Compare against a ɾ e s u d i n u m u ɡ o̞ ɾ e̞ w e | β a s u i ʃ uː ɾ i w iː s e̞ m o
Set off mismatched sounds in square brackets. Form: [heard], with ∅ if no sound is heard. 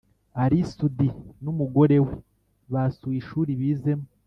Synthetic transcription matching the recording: a ɾ [i] s u d i n u m u ɡ o̞ ɾ e̞ w e | β a s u i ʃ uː ɾ i [β] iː [z] e̞ m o